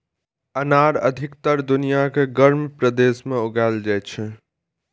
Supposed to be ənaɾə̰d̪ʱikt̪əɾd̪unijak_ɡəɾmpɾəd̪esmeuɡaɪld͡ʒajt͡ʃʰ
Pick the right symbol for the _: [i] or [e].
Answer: e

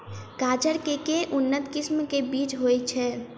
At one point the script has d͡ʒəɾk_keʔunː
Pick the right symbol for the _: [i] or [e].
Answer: e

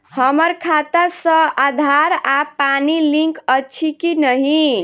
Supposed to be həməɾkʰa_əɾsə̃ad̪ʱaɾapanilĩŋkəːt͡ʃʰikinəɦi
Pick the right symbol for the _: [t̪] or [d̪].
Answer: t̪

